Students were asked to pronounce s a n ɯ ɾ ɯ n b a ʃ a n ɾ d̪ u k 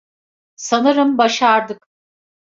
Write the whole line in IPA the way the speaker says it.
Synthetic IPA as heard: s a n ɯ ɾ ɯ m b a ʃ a ɾ d̪ ɯ k